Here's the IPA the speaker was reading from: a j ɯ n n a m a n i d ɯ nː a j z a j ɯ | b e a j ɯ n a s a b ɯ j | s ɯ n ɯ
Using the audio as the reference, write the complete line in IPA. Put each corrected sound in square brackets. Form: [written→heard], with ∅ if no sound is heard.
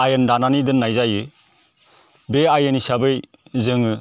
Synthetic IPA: a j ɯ n [n→d] a [m→n] a n i d ɯ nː a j z a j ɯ | b e a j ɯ n [a→i] s a b ɯ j | [s→z] ɯ [n→ŋ] ɯ